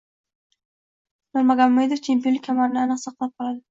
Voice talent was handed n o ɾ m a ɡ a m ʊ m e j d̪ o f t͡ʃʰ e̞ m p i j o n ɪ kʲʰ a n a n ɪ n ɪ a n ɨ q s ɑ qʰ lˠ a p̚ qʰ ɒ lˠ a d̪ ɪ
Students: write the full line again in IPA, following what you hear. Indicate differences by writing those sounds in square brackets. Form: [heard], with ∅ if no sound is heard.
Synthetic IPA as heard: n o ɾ m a ɡ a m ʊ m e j d̪ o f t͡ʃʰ e̞ m p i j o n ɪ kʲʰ a [m] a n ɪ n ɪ a n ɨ q s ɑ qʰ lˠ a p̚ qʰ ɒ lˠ a d̪ ɪ